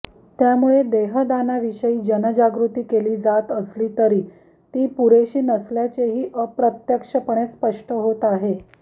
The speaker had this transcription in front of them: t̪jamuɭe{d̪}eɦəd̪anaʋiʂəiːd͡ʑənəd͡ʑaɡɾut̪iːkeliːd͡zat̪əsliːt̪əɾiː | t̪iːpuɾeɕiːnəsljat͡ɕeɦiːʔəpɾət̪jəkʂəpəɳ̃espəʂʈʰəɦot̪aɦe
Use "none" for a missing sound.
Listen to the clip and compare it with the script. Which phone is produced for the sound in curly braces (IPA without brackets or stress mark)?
d̪